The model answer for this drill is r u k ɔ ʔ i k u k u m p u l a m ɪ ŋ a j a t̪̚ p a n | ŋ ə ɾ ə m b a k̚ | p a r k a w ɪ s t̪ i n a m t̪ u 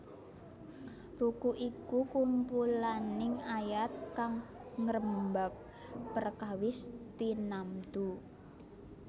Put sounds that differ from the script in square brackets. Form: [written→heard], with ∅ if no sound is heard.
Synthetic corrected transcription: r u k [ɔ→u] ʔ i k u k u m p u l a [m→n] ɪ ŋ a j a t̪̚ [p→k] a [n→ŋ] | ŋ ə ɾ ə m b a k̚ | p [a→ə] r k a w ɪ s t̪ i n a m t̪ u